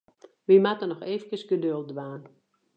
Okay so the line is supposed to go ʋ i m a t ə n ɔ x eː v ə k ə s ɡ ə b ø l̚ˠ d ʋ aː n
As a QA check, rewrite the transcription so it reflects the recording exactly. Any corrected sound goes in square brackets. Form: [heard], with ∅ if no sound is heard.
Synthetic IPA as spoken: ʋ i m a t ə n ɔ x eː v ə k ə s ɡ ə [d] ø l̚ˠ d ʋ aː n